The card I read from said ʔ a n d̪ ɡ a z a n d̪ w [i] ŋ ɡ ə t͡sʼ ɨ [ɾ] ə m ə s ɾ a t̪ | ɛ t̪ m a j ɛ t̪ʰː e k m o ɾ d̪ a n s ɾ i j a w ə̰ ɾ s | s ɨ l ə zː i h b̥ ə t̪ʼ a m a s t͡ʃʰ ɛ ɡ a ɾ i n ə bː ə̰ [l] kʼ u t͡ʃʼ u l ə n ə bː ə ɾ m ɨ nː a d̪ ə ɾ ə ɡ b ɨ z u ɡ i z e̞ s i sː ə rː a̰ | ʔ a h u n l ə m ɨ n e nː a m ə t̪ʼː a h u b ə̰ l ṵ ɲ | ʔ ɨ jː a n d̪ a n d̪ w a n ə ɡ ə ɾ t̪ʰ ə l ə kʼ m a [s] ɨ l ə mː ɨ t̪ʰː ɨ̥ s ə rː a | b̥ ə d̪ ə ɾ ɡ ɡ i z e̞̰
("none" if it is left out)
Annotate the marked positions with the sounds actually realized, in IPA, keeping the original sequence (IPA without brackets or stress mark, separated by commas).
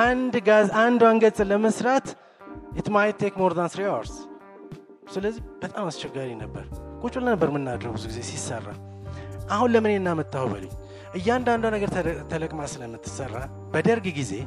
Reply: a, l, ɾ, s